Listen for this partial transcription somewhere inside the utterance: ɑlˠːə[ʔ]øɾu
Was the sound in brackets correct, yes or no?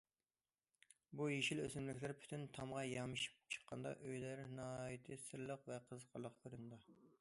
no